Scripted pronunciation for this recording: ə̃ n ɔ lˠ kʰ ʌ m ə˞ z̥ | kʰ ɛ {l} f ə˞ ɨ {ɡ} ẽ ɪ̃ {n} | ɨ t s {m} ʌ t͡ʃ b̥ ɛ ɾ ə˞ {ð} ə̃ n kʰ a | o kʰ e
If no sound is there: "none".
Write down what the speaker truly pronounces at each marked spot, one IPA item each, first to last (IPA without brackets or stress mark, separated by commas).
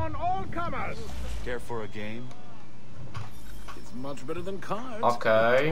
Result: ɹ, ɡ, m, m, ð